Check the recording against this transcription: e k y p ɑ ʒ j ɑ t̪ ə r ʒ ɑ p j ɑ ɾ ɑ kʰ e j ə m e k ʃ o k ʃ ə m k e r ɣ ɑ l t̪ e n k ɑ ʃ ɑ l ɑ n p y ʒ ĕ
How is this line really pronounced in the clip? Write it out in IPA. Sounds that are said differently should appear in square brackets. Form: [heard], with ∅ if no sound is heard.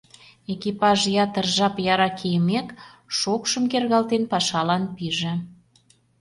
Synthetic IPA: e k [i] p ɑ ʒ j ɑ t̪ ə r ʒ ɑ p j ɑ ɾ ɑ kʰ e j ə m e k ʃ o k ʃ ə m k e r ɣ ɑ l t̪ e n [p] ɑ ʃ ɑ l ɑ n p [i] ʒ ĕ

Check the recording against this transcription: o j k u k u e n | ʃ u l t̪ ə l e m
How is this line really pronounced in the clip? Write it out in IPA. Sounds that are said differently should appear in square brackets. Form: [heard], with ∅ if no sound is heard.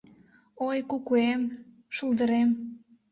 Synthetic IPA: o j k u k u e [m] | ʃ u l [d̪] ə [ɾ] e m

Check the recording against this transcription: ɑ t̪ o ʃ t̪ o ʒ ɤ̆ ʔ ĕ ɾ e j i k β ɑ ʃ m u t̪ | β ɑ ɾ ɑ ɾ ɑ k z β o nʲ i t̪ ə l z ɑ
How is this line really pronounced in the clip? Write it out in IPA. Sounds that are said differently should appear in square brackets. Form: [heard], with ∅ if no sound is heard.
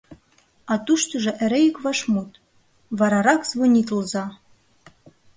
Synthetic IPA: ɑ t̪ [u] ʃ t̪ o ʒ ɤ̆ ʔ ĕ ɾ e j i k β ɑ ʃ m u t̪ | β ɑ ɾ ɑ ɾ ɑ k z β o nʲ i t̪ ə l z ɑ

